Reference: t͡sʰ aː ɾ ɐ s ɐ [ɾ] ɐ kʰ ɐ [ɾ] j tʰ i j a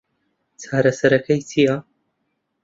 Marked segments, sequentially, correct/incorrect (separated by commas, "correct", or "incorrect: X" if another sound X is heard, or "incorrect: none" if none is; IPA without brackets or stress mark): correct, incorrect: none